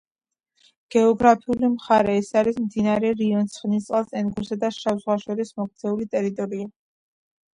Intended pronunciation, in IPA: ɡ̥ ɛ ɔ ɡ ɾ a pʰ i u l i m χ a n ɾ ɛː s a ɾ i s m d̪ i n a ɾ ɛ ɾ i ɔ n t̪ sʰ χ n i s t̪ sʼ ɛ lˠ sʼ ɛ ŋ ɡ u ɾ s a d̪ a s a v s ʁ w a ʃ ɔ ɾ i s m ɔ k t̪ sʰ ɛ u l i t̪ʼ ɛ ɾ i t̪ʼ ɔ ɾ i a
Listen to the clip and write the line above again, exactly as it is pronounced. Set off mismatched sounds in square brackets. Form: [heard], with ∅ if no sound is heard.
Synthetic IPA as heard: ɡ̥ ɛ ɔ ɡ ɾ a pʰ i u l i m χ a [∅] ɾ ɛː s a ɾ i s m d̪ i n a ɾ ɛ ɾ i ɔ n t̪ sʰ χ n i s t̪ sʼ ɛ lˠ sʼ ɛ [n] ɡ u ɾ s a d̪ a [ʃ] a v [z] ʁ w a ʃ ɔ ɾ i s m ɔ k t̪ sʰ ɛ u l i t̪ʼ ɛ ɾ i t̪ʼ ɔ ɾ i a